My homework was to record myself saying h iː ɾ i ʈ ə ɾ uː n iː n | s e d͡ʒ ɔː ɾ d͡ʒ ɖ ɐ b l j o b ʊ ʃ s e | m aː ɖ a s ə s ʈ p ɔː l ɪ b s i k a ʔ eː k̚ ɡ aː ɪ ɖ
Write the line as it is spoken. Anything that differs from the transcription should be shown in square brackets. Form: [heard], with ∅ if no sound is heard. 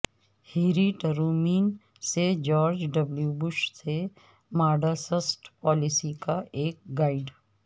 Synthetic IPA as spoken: h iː ɾ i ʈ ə ɾ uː [m] iː n | s e d͡ʒ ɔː ɾ d͡ʒ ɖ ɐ b l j [u] b ʊ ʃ s e | m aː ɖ a s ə s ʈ p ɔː l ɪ [∅] s i k a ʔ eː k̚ ɡ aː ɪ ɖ